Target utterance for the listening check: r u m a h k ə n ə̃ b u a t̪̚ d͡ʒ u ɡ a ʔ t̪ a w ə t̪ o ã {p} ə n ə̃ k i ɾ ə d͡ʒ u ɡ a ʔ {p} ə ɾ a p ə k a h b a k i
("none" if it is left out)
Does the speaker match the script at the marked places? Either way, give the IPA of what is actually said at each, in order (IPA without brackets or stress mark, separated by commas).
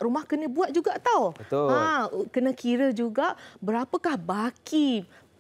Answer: k, b